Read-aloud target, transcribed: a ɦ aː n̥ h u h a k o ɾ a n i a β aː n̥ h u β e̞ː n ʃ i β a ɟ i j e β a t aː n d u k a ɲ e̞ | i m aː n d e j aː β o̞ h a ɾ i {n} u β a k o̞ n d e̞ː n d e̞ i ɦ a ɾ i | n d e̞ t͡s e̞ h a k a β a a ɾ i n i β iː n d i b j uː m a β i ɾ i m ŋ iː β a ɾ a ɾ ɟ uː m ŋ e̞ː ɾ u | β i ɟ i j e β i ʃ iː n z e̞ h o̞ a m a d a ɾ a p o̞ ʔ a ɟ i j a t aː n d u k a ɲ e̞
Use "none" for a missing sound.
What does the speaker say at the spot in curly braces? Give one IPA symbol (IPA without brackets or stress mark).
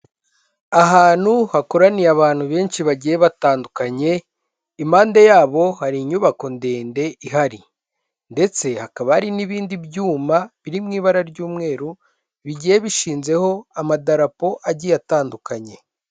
ɲ